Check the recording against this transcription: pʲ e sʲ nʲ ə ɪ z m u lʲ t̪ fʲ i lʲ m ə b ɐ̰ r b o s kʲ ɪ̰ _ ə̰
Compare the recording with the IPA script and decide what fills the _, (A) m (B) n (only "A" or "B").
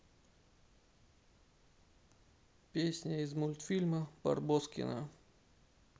B